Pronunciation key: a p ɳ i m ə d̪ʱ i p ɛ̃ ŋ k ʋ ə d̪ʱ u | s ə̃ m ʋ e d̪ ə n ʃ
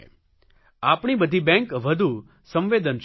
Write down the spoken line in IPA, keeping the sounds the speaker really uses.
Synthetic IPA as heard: a p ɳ i b ə d̪ʱ i b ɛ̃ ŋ k ʋ ə d̪ʱ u | s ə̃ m ʋ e d̪ ə n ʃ